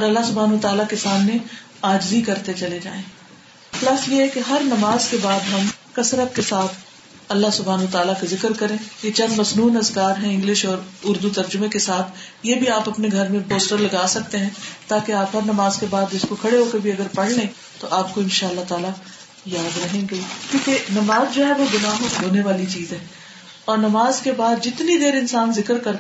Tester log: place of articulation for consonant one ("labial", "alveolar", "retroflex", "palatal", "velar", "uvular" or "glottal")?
alveolar